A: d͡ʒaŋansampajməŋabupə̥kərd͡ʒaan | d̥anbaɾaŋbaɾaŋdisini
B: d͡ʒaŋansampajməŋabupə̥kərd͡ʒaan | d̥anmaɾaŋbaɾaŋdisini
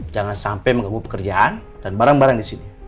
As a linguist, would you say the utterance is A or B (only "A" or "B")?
A